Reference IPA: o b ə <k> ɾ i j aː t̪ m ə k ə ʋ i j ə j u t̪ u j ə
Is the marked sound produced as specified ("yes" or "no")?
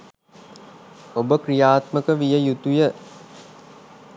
yes